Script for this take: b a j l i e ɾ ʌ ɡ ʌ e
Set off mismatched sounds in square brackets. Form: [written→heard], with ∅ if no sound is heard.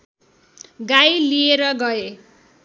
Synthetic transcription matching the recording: [b→ɡ] a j l i e ɾ ʌ ɡ ʌ e